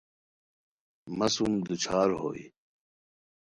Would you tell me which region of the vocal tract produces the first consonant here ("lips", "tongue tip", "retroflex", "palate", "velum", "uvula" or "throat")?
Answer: lips